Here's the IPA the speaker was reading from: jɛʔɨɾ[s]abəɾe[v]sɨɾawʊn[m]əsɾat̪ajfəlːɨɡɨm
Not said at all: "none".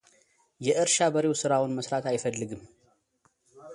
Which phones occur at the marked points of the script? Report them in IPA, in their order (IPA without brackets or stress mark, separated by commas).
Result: ʃ, w, m